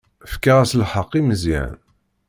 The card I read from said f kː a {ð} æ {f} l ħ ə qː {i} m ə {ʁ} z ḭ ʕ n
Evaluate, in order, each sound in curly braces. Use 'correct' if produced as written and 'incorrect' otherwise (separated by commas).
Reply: incorrect, incorrect, correct, incorrect